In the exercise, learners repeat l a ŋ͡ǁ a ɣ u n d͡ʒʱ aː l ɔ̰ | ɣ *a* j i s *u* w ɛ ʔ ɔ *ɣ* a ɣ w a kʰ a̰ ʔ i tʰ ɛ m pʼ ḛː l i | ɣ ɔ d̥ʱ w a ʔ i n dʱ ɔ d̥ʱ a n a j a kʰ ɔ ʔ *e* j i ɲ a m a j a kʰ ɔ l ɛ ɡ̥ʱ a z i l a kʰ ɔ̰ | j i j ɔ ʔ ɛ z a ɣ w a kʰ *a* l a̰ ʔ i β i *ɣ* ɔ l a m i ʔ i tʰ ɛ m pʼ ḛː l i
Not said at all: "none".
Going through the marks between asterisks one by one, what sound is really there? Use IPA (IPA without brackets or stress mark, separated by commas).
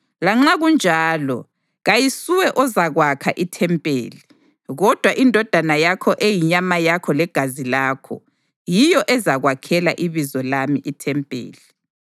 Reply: a, u, z, e, ɛ, z